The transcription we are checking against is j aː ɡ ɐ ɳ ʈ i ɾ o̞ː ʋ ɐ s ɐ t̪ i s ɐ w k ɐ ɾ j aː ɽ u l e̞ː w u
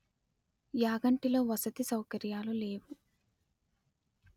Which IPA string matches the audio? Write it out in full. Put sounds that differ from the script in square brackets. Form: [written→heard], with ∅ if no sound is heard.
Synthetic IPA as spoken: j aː ɡ ɐ ɳ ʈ i [ɾ→l] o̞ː ʋ ɐ s ɐ t̪ i s ɐ w k ɐ ɾ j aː [ɽ→l] u l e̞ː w u